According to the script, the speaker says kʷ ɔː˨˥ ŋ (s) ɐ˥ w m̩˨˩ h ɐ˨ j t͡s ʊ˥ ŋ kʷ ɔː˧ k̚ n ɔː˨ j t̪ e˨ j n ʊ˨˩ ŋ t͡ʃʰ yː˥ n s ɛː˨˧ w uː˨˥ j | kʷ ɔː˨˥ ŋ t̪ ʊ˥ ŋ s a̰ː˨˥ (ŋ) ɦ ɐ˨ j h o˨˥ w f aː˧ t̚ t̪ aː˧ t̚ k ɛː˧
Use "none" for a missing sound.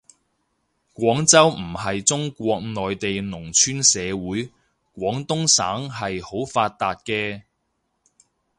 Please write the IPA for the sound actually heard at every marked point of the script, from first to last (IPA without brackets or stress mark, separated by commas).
t͡s, ŋ